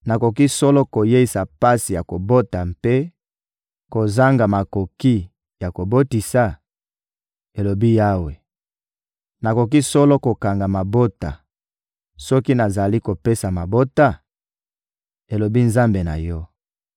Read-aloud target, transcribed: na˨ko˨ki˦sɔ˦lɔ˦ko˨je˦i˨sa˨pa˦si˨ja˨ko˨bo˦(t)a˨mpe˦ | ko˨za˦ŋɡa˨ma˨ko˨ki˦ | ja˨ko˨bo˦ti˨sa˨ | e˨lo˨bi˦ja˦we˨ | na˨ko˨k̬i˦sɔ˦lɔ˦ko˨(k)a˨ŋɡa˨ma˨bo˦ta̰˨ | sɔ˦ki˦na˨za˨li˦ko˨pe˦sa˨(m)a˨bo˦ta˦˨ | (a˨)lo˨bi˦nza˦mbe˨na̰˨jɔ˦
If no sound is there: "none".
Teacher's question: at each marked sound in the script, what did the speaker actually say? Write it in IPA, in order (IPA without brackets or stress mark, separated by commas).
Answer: t, k, m, e˨